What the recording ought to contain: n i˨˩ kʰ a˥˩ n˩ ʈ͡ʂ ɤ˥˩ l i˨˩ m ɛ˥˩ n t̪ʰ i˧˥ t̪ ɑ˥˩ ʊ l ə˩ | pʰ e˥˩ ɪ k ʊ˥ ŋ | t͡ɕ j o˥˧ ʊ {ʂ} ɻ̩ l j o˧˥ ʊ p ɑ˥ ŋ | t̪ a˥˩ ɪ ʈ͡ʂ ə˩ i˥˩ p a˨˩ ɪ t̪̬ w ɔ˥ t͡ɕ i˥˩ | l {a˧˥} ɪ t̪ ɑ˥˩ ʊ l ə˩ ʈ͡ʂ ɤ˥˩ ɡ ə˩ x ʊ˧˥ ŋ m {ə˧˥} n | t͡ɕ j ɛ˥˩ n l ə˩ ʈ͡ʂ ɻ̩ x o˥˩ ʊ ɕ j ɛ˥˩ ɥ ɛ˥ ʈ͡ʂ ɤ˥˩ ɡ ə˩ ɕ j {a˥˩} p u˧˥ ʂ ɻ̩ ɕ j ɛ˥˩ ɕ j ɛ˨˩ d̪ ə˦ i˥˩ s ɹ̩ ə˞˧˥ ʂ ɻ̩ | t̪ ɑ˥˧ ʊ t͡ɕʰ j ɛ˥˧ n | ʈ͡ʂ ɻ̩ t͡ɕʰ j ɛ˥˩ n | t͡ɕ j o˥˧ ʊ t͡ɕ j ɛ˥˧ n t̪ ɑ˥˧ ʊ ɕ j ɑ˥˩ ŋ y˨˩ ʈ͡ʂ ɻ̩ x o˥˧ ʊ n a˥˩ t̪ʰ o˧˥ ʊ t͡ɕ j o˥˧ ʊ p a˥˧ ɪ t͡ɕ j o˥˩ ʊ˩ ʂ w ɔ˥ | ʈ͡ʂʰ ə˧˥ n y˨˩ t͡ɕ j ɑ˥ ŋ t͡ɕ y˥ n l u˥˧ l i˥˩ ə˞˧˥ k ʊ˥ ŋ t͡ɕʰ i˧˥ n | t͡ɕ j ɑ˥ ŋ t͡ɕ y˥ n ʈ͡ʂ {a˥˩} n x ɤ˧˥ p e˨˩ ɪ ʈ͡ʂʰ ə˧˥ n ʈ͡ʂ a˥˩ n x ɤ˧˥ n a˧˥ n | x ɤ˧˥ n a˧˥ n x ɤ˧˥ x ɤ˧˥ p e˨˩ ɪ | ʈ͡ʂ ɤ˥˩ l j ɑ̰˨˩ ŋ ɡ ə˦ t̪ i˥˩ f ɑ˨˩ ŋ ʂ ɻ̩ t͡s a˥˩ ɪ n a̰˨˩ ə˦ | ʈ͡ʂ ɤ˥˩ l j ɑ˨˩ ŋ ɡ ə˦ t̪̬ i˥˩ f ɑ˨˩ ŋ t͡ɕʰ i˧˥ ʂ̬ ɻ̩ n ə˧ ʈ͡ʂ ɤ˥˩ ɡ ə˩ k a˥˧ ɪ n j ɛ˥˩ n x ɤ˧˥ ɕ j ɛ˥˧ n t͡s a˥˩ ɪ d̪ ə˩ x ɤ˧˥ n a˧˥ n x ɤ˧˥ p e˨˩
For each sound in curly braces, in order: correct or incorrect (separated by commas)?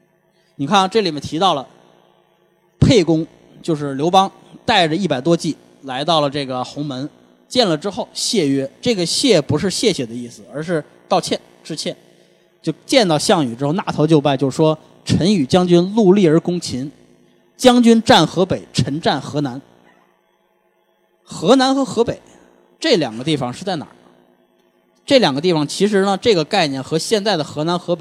correct, correct, correct, incorrect, correct